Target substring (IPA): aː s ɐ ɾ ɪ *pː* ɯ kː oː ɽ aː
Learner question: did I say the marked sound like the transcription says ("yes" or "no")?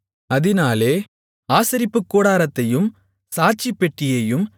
yes